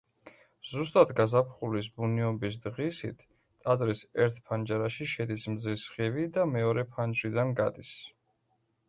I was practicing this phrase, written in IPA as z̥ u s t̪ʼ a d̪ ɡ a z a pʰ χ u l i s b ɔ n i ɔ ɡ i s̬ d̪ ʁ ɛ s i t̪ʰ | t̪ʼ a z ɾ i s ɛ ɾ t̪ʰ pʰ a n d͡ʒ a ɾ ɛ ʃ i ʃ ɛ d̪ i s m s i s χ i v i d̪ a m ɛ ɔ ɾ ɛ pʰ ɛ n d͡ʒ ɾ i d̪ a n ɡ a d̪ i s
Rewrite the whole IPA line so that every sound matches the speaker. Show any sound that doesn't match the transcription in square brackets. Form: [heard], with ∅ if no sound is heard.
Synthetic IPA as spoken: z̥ u s t̪ʼ a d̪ ɡ a z a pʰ χ u l i s b [u] n i ɔ [b] i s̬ d̪ ʁ [i] s i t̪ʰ | t̪ʼ a z ɾ i s ɛ ɾ t̪ʰ pʰ a n d͡ʒ a ɾ [a] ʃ i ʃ ɛ d̪ i s m [z] i s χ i v i d̪ a m ɛ ɔ ɾ ɛ pʰ [a] n d͡ʒ ɾ i d̪ a n ɡ a d̪ i s

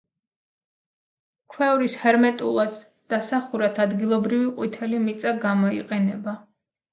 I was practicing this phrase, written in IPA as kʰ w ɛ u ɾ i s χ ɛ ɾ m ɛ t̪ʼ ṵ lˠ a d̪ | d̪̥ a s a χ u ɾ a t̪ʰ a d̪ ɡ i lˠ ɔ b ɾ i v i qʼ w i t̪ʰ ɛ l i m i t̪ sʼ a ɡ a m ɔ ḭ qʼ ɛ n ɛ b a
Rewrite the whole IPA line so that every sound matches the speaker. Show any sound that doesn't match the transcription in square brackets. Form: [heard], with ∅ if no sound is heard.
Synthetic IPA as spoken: kʰ w ɛ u ɾ i s [h] ɛ ɾ m ɛ t̪ʼ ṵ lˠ a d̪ | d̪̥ a s a χ u ɾ a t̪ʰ a d̪ ɡ i lˠ ɔ b ɾ i v i qʼ w i t̪ʰ ɛ l i m i t̪ sʼ a ɡ a m ɔ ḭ qʼ ɛ n ɛ b a

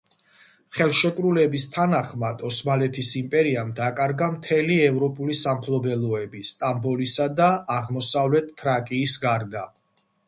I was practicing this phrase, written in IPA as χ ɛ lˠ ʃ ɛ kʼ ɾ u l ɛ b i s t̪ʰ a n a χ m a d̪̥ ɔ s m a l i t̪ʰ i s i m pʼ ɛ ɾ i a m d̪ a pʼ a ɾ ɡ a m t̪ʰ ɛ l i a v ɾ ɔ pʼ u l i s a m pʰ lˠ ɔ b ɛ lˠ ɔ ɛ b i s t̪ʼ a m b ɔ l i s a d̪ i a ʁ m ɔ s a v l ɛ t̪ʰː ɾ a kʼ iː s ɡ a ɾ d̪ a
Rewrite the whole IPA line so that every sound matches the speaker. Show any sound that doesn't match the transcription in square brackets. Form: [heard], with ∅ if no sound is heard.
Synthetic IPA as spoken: χ ɛ lˠ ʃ ɛ kʼ ɾ u l ɛ b i s t̪ʰ a n a χ m a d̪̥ ɔ s m a l [ɛ] t̪ʰ i s i m pʼ ɛ ɾ i a m d̪ a [kʼ] a ɾ ɡ a m t̪ʰ ɛ l i [ɛ] v ɾ ɔ pʼ u l i s a m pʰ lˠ ɔ b ɛ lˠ ɔ ɛ b i s t̪ʼ a m b ɔ l i s a d̪ [a] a ʁ m ɔ s a v l ɛ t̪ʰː ɾ a kʼ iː s ɡ a ɾ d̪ a

